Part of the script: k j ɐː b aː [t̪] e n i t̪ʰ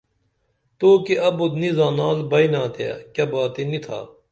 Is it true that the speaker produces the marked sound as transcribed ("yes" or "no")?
yes